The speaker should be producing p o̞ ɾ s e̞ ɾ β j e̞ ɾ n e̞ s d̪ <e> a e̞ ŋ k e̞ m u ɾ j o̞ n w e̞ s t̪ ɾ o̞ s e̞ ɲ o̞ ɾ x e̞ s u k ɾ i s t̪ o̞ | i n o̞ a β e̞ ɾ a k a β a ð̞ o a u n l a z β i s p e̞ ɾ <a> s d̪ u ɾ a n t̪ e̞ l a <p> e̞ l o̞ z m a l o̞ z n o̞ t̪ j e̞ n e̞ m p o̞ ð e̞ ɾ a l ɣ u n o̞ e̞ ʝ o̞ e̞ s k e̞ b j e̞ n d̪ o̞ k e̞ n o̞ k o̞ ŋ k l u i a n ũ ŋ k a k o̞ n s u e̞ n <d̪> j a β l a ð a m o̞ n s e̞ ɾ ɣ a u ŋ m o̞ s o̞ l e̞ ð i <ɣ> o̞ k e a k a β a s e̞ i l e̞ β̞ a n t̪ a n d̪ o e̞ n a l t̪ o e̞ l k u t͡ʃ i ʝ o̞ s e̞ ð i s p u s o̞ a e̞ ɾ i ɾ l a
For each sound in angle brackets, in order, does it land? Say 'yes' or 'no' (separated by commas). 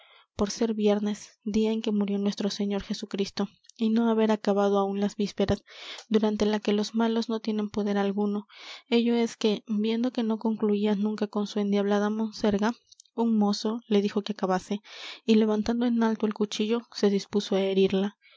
no, yes, no, yes, no